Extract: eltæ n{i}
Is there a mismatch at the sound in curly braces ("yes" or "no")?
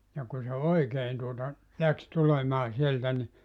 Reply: no